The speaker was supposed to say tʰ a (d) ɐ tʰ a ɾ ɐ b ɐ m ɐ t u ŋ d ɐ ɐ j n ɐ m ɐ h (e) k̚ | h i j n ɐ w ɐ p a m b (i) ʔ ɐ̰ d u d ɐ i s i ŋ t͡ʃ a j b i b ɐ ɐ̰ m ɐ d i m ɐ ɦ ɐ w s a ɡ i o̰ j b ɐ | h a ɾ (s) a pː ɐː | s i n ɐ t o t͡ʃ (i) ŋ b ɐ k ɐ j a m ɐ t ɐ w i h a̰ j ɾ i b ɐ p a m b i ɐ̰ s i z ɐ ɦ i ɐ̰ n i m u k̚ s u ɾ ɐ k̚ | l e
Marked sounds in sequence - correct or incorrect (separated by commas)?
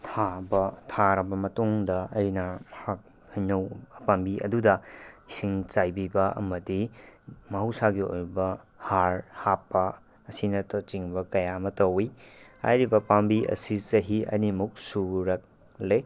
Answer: incorrect, incorrect, correct, incorrect, correct